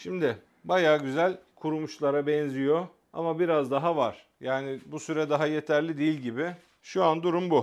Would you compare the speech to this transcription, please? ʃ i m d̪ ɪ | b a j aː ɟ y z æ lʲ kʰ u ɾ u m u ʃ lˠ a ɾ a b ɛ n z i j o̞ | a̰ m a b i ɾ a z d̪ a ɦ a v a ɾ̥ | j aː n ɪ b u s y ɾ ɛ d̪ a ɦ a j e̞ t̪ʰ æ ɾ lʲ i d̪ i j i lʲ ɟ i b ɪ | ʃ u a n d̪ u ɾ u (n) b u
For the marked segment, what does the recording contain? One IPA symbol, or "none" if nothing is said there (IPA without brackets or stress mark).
m